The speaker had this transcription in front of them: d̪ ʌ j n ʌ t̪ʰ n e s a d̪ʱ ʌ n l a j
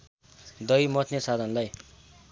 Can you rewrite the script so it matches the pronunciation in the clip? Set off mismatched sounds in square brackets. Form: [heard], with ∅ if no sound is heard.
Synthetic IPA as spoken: d̪ ʌ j [m] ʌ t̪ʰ n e s a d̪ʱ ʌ n l a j